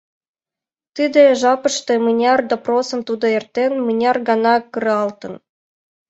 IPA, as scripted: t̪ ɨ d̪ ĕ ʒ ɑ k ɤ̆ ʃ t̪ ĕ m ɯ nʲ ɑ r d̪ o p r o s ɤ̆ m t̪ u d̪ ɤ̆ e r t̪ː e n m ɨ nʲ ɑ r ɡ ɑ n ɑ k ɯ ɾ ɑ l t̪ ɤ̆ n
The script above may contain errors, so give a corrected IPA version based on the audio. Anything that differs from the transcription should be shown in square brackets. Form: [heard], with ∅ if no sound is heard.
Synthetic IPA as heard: t̪ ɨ d̪ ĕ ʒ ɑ [p] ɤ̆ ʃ t̪ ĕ m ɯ nʲ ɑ r d̪ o p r o s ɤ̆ m t̪ u d̪ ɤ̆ e r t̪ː e n m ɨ nʲ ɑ r ɡ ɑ n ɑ k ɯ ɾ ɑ l t̪ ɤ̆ n